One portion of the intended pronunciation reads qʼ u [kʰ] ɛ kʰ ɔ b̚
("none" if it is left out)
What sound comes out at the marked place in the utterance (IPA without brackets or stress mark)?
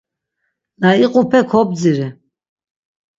pʰ